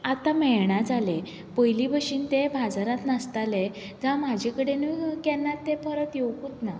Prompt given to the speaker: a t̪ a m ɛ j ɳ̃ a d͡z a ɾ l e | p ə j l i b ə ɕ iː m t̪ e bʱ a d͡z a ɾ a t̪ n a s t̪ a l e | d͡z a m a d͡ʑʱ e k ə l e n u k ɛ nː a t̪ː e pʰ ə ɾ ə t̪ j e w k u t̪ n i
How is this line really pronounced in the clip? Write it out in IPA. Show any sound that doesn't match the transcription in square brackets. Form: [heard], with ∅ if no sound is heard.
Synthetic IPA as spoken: a t̪ a m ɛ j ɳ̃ a d͡z a [∅] l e | p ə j l i b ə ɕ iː [n] t̪ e bʱ a d͡z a ɾ a t̪ n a s t̪ a l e | d͡z a m a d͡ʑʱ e k ə [ɽ] e n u k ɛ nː a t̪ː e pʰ ə ɾ ə t̪ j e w k u t̪ n [a]

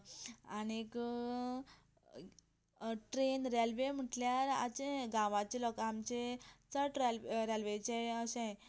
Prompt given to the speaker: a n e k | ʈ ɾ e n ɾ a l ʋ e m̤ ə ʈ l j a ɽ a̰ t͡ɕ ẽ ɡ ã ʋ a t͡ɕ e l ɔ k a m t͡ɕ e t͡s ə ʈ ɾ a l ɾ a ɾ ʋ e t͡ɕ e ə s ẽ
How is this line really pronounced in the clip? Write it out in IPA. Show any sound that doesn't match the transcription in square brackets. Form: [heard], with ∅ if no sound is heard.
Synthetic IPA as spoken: a n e k | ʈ ɾ e n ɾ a l ʋ e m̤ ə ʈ l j a [ɾ] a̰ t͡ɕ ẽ ɡ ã ʋ a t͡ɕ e l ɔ k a m t͡ɕ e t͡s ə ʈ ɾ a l ɾ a [l] ʋ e t͡ɕ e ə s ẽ

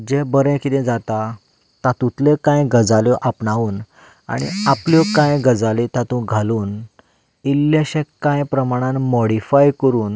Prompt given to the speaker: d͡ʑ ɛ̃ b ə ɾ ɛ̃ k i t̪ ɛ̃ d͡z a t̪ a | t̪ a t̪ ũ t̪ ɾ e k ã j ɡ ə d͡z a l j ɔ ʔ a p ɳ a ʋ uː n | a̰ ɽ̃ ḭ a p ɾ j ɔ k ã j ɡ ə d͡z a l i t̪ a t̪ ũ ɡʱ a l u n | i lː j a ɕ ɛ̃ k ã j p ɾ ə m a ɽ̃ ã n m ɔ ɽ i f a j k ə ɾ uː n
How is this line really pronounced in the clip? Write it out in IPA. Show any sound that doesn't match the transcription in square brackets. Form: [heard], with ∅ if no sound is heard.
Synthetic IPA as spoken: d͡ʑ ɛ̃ b ə ɾ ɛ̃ k i t̪ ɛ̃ d͡z a t̪ a | t̪ a t̪ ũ t̪ [l] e k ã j ɡ ə d͡z a l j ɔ ʔ a p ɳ a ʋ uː n | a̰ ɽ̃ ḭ a p [l] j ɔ k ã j ɡ ə d͡z a l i t̪ a t̪ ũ ɡʱ a l [uː] n | i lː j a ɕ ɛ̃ k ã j p ɾ ə m a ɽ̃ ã n m ɔ ɽ i f a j k ə ɾ uː n

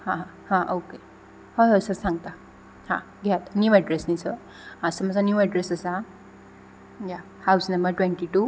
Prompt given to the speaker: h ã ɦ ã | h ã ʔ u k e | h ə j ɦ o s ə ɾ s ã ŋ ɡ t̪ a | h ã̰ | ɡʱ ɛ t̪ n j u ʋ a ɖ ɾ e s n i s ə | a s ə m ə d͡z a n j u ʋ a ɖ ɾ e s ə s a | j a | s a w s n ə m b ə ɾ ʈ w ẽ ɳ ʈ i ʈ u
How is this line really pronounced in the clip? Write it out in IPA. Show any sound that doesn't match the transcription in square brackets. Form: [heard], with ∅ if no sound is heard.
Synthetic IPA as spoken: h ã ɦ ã | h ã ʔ [o] k e | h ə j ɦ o s ə ɾ s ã ŋ ɡ t̪ a | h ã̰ | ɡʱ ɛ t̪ n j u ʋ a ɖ ɾ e s n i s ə | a s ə m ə d͡z a n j u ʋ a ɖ ɾ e s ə s a | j a | [h] a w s n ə m b ə ɾ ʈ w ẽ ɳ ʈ i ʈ u

